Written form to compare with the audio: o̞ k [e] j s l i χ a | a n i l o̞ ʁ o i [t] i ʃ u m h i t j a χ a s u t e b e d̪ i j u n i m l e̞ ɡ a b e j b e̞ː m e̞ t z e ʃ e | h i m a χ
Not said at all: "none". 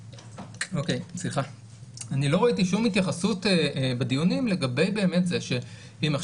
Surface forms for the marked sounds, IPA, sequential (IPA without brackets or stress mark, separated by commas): e, t